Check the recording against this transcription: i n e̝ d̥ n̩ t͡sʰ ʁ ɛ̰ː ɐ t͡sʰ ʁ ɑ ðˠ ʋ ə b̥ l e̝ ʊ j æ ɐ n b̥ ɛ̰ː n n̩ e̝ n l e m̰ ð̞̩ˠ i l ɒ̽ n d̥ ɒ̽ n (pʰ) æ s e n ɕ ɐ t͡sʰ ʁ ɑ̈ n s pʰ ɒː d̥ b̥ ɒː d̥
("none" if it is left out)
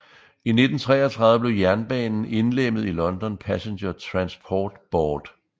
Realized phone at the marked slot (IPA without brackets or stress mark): pʰ